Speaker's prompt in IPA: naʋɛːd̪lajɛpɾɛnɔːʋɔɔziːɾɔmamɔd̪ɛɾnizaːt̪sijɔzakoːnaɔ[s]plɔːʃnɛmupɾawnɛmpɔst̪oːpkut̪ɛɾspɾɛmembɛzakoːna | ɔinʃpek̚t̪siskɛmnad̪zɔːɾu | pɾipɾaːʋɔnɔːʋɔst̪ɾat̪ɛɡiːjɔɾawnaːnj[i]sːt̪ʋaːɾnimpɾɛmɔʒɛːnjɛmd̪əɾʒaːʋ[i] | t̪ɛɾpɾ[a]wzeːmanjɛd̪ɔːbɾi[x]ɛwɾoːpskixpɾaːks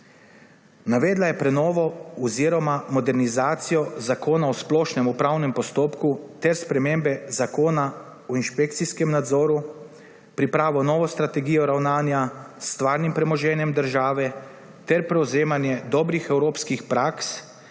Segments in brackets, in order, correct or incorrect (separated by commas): correct, incorrect, incorrect, incorrect, correct